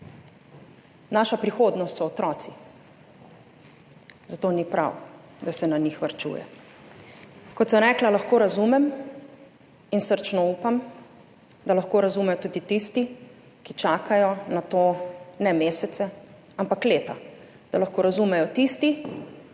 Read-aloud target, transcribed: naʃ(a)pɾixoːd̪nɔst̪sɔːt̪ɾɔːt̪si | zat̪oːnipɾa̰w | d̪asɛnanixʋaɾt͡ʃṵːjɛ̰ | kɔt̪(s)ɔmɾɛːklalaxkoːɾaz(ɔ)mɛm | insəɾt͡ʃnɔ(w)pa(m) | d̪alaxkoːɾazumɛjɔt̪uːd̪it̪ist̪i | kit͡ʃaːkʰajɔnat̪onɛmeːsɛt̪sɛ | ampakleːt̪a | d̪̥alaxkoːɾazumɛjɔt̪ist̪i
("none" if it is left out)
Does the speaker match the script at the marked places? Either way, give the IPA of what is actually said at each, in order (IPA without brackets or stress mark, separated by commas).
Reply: a, s, u, u, m